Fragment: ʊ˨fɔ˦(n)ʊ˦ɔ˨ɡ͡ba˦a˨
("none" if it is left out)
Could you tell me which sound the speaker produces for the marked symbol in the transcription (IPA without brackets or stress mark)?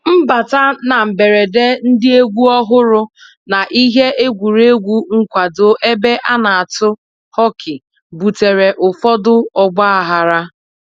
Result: d